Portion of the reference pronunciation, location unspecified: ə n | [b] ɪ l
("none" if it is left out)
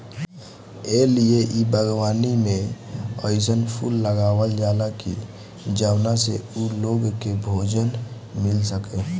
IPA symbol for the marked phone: m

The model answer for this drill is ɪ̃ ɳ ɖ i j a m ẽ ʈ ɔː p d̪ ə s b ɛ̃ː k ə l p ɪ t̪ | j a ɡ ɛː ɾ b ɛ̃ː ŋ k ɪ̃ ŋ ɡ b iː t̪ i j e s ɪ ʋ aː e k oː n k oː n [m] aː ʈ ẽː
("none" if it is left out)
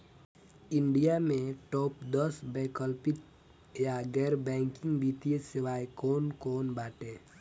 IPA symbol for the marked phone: b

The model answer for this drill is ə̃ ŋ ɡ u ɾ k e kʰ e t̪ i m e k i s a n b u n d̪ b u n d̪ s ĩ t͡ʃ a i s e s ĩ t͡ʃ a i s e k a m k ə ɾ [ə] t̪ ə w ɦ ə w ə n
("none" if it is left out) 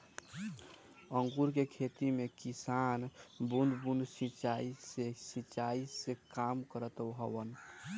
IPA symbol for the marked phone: ə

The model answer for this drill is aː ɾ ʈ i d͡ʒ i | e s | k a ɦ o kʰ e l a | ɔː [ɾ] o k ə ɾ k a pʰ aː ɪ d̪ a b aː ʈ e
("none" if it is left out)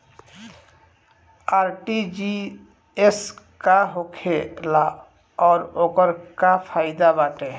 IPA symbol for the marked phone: ɾ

